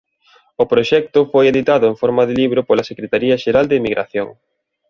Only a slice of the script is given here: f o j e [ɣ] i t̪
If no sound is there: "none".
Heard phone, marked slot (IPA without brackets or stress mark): ð